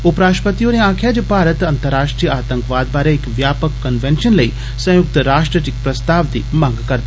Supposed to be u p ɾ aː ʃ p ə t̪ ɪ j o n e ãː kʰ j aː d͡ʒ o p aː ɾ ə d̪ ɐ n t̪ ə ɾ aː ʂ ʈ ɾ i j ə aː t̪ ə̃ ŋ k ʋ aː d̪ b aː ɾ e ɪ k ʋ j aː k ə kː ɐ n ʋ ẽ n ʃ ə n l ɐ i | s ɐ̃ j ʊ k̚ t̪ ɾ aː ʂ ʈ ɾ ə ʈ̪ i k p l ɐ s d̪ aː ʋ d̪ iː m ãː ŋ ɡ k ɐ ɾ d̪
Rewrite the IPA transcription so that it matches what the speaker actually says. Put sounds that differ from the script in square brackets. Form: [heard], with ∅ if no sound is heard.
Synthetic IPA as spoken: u p ɾ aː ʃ p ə t̪ [i] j o n e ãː kʰ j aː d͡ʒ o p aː ɾ ə [t̪] ɐ n t̪ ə ɾ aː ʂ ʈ ɾ i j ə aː t̪ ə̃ ŋ k ʋ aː d̪ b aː ɾ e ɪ k ʋ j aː [p] ə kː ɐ n ʋ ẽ n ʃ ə n l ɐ i | s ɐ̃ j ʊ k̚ t̪ ɾ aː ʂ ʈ ɾ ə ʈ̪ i k p [ɾ] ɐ s [t̪] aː ʋ d̪ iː m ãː ŋ ɡ k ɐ ɾ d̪